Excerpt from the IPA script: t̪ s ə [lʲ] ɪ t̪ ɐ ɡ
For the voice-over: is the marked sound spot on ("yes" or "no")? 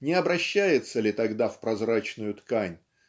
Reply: yes